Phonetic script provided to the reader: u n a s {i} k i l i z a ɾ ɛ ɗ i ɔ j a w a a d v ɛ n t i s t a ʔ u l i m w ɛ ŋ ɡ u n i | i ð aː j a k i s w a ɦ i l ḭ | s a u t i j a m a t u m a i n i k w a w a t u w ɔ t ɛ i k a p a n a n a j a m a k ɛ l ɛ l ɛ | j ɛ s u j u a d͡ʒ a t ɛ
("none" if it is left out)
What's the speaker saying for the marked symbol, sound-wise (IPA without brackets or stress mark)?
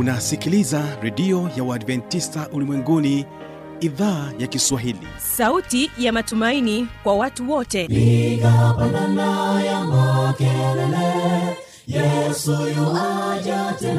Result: i